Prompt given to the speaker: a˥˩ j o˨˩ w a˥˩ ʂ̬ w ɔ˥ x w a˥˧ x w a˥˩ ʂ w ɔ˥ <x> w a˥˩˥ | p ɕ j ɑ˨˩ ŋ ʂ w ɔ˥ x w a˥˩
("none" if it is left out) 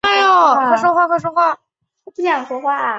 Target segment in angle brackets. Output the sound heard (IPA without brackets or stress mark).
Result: x